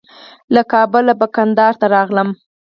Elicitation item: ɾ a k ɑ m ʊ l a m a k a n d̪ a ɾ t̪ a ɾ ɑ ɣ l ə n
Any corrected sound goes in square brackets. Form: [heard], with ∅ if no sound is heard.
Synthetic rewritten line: [l] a k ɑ [b] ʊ l a [b] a k a n d̪ [ɑ] ɾ t̪ a ɾ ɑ ɣ l ə [m]